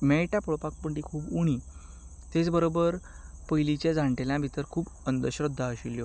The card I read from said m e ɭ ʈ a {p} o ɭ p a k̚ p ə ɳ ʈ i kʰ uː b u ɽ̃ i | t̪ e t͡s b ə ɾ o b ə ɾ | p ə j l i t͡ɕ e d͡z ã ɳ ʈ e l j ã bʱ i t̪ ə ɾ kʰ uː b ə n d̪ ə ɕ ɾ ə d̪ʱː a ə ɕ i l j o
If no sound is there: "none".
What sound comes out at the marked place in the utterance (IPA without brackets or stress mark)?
p